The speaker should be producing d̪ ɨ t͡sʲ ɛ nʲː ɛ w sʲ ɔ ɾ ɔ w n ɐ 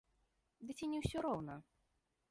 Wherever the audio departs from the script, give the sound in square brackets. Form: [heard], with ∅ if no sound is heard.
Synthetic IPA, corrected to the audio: d̪ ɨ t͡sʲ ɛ [nʲ] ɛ w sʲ ɔ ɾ ɔ w n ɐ